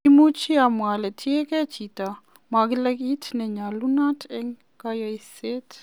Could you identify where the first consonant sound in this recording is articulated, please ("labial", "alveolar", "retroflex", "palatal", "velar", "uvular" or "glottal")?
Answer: labial